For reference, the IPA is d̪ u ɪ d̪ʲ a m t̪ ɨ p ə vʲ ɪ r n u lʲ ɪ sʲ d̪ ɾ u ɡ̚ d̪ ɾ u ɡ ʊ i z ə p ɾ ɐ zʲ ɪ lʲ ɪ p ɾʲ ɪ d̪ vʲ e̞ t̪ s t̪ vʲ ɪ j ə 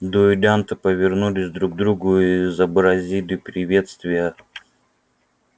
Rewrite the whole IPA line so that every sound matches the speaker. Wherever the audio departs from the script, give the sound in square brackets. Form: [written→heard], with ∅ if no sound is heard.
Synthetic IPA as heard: d̪ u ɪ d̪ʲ a [m→n] t̪ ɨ p ə vʲ ɪ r n u lʲ ɪ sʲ d̪ ɾ u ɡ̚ d̪ ɾ u ɡ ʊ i z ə [p→b] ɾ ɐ zʲ [ɪ→i] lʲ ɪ p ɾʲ ɪ [d̪→∅] vʲ e̞ t̪ s t̪ vʲ ɪ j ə